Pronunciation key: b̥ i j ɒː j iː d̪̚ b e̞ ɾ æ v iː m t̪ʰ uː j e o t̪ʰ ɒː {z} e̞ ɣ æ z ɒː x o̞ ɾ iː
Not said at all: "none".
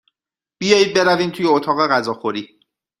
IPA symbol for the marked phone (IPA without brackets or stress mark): ɣ